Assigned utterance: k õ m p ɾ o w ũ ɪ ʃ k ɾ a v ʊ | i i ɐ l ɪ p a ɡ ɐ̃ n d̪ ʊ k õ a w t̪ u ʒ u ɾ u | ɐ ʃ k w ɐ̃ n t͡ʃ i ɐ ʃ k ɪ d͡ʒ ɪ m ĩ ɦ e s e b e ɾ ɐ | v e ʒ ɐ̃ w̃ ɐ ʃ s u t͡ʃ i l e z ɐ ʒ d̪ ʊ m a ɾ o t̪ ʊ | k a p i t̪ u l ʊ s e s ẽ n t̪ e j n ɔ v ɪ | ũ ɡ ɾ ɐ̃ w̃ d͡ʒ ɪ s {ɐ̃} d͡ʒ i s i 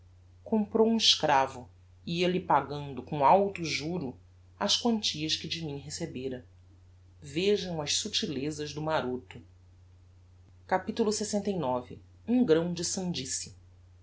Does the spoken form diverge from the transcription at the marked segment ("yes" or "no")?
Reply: no